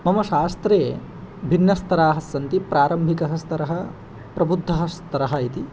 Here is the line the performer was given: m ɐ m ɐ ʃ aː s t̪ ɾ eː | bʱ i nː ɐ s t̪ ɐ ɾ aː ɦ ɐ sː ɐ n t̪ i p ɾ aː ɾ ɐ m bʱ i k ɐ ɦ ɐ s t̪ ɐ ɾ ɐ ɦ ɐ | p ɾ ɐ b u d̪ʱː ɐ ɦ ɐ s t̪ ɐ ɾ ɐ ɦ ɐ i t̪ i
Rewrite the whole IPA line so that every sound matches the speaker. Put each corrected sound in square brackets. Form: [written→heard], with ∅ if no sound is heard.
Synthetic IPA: m ɐ m ɐ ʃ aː s t̪ ɾ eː | bʱ i nː ɐ s t̪ ɐ ɾ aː ɦ ɐ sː ɐ n t̪ i p ɾ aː ɾ ɐ m bʱ i k ɐ ɦ ɐ s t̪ ɐ ɾ ɐ ɦ ɐ | p ɾ ɐ b u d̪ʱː ɐ ɦ ɐ s t̪ ɐ ɾ ɐ ɦ ɐ i t̪ i